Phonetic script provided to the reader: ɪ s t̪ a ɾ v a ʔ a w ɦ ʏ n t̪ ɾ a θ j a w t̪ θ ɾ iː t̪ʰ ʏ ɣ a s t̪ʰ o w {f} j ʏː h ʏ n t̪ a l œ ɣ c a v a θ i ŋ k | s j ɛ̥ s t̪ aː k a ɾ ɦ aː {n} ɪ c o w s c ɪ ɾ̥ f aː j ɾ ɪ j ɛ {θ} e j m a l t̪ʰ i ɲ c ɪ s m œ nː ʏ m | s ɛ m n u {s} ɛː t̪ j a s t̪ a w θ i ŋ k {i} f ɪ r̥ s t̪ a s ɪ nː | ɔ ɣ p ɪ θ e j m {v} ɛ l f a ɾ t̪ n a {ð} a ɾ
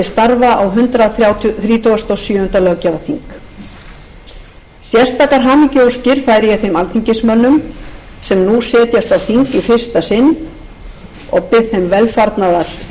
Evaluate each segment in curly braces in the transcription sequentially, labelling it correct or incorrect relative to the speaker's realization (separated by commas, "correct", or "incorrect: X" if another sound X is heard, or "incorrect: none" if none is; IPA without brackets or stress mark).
incorrect: s, incorrect: m, correct, correct, correct, correct, correct